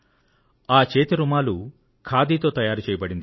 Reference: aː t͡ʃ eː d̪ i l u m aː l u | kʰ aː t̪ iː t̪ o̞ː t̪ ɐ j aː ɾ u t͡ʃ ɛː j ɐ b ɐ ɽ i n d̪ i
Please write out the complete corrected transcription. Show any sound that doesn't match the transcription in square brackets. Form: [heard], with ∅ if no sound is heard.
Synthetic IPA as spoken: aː t͡ʃ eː [t̪] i [ɾ] u m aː l u | kʰ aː [d̪] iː t̪ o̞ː t̪ ɐ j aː ɾ u t͡ʃ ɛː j ɐ b ɐ ɽ i n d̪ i